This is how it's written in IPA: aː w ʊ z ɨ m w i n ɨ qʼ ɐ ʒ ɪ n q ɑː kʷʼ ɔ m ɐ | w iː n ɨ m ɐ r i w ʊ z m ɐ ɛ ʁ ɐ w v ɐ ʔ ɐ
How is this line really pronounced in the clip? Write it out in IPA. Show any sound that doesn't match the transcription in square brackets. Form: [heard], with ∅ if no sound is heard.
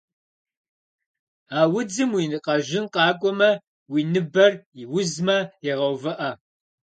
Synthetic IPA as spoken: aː w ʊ [d͡z] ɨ m w i n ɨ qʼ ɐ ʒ ɪ n q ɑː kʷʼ ɔ m ɐ | w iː n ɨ [b] ɐ r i w ʊ z m ɐ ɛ ʁ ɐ w v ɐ ʔ ɐ